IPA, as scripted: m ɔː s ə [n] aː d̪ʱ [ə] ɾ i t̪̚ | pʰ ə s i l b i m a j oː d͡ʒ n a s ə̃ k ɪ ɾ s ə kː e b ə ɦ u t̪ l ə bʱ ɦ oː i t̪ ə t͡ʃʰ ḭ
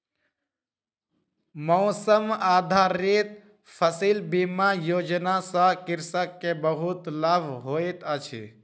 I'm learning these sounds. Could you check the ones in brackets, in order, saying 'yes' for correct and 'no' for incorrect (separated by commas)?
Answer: no, no